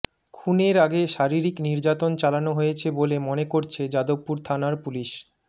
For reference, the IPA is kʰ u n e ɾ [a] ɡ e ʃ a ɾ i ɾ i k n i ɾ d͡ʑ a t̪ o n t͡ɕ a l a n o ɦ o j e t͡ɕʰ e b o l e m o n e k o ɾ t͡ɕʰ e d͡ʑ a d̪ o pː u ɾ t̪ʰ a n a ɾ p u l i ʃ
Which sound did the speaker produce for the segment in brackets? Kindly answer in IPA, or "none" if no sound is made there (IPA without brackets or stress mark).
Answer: a